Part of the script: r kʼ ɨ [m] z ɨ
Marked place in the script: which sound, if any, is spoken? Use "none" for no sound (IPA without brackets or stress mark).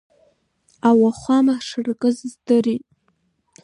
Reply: none